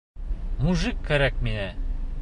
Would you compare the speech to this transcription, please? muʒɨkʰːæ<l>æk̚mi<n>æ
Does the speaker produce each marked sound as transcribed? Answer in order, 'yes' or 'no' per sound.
no, yes

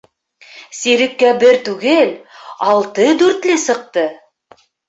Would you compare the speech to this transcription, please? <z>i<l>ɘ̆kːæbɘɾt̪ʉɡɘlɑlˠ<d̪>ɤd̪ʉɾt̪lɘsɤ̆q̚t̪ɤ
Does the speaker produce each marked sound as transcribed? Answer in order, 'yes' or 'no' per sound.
no, no, no

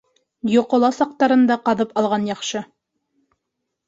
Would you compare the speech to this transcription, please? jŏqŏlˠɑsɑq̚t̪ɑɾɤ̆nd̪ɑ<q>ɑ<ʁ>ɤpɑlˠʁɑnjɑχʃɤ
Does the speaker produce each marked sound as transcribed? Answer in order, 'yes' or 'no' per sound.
yes, no

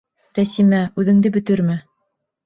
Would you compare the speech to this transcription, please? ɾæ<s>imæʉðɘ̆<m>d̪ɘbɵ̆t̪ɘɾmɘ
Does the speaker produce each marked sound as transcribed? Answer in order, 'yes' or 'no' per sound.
yes, no

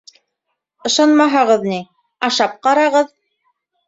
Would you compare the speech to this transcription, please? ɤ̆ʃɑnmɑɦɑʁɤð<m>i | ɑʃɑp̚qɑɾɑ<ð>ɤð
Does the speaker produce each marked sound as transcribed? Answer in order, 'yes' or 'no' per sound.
no, no

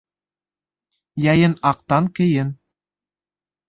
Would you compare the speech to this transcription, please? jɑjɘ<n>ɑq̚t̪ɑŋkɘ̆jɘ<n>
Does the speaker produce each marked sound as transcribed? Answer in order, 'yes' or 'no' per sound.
yes, yes

